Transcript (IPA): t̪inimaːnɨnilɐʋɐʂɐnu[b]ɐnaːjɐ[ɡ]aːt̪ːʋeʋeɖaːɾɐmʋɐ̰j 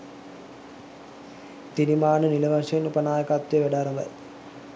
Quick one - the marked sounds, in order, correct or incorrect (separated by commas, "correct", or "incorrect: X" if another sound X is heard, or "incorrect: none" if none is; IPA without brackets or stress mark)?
incorrect: p, incorrect: k